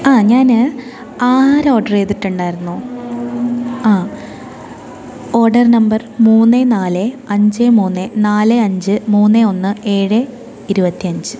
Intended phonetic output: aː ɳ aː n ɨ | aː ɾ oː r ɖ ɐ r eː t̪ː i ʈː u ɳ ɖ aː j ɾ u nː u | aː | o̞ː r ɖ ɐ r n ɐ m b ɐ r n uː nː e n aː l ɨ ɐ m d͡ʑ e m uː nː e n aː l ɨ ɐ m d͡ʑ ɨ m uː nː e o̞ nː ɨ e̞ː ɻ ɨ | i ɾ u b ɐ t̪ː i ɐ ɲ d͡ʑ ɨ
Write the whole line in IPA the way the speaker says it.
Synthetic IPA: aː ɲ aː n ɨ | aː ɾ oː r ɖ ɐ r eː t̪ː i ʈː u ɳ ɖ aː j ɾ u nː u | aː | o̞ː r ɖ ɐ r n ɐ m b ɐ r m uː nː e n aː l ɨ ɐ ɲ d͡ʑ e m uː nː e n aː l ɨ ɐ ɲ d͡ʑ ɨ m uː nː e o̞ nː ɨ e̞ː ɻ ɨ | i ɾ u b ɐ t̪ː i ɐ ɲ d͡ʑ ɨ